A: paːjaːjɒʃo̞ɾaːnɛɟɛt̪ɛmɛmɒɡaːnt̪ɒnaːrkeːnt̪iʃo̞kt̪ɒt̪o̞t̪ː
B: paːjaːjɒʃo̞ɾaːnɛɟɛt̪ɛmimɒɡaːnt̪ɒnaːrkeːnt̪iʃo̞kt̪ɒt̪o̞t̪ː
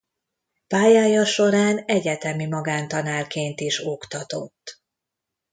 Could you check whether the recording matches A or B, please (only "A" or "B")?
B